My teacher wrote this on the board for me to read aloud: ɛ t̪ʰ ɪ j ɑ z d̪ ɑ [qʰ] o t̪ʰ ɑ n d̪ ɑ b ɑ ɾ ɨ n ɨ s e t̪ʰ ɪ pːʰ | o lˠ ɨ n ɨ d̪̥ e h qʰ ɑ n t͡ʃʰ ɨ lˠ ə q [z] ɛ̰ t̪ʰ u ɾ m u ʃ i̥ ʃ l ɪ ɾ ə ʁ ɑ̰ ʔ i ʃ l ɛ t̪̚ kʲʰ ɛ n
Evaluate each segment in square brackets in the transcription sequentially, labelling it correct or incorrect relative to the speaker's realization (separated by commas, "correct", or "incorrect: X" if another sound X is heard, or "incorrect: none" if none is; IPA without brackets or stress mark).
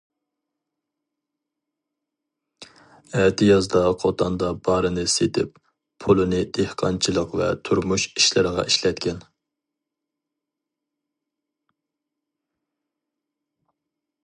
correct, incorrect: v